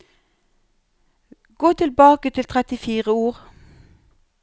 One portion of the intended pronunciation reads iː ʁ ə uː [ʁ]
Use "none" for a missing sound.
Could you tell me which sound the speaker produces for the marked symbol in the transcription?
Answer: ʁ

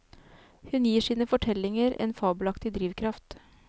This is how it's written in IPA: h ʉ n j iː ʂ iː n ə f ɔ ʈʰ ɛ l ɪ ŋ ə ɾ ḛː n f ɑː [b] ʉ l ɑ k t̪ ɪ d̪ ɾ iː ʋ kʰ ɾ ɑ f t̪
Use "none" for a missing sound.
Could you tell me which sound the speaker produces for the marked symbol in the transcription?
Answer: b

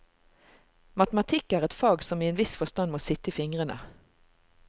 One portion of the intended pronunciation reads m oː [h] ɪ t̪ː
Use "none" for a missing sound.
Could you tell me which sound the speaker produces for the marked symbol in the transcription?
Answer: s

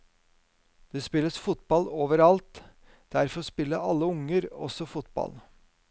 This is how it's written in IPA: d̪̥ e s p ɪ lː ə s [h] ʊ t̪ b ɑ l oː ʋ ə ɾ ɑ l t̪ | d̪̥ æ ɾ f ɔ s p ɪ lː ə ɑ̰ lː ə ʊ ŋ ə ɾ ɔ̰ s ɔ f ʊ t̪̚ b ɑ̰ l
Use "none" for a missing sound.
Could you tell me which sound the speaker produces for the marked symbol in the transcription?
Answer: f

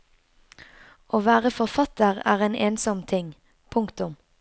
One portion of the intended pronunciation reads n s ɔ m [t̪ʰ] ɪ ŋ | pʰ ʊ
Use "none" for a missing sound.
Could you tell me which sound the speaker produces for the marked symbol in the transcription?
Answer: t̪ʰ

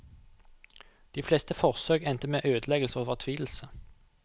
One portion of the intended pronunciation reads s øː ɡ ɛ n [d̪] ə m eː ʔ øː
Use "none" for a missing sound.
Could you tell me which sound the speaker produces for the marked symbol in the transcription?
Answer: t̪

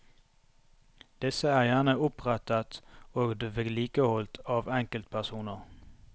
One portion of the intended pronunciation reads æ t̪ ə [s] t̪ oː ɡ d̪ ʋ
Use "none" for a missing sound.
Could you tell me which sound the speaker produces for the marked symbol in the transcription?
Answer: none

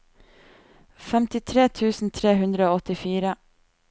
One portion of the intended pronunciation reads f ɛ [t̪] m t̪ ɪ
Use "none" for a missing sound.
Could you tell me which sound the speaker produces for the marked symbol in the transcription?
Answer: none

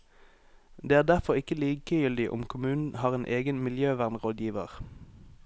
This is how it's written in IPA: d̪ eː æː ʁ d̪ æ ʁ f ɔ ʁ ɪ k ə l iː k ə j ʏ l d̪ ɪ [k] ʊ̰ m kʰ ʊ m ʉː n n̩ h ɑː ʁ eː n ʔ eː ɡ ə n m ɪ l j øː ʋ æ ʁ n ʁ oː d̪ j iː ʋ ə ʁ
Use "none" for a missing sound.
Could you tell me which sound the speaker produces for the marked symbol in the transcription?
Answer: ʔ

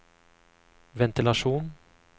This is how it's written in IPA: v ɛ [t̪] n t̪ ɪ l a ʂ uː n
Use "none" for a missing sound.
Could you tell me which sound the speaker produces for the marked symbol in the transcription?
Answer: none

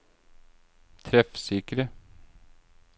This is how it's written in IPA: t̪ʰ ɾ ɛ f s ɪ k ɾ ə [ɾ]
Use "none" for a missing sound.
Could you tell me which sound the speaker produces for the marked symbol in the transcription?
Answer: none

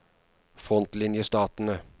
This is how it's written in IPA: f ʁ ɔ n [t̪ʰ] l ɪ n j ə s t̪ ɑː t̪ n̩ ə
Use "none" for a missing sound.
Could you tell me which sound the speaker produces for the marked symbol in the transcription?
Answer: t̪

